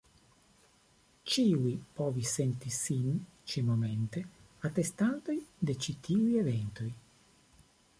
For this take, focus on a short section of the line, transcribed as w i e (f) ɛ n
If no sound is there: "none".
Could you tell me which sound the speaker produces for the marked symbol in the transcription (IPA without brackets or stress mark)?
v